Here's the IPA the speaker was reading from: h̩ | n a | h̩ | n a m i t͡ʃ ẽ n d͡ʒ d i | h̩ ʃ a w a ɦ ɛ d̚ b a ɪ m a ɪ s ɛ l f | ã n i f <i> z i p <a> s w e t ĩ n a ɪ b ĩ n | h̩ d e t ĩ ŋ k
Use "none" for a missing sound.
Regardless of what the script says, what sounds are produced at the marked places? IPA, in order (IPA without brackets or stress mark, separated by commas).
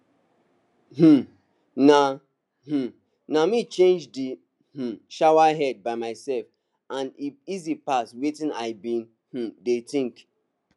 i, a